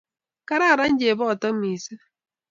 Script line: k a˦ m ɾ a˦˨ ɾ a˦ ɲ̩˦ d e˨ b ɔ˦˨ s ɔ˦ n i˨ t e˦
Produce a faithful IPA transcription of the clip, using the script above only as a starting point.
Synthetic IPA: k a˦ ɾ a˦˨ ɾ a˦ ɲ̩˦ d͡ʒ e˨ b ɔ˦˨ t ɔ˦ m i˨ s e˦